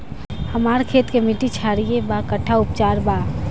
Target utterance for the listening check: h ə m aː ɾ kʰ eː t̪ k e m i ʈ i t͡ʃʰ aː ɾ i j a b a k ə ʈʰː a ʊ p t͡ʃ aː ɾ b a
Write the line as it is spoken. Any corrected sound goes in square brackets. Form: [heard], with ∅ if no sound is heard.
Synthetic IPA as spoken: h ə m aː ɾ kʰ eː t̪ k e m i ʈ i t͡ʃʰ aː ɾ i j [e] b a k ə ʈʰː a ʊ p t͡ʃ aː ɾ b a